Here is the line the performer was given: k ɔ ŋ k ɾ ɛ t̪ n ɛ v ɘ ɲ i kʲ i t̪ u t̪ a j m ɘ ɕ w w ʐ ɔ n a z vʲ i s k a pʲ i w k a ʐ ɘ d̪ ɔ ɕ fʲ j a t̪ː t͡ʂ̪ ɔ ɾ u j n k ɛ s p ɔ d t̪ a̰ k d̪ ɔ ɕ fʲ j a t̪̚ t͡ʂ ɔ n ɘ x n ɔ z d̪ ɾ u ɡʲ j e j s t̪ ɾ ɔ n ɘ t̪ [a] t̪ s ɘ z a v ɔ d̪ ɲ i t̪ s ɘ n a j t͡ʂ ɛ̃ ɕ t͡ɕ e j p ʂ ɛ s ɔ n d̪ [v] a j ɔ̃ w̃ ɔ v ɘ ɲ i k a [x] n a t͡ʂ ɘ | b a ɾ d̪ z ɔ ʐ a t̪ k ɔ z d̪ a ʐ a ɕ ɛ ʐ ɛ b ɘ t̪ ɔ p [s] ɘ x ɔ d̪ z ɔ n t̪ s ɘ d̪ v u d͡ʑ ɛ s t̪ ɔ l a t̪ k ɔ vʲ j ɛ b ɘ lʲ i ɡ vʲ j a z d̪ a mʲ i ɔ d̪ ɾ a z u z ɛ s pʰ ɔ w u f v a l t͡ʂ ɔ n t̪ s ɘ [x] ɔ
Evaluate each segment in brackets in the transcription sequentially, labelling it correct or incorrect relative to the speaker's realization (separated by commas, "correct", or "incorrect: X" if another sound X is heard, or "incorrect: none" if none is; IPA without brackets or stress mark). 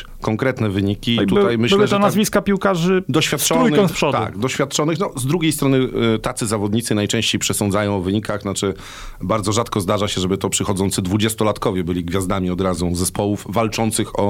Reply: correct, incorrect: z, correct, incorrect: ʂ, correct